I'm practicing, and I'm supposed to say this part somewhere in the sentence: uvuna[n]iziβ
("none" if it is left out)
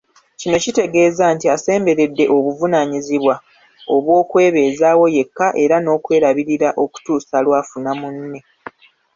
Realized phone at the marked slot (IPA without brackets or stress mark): ɲ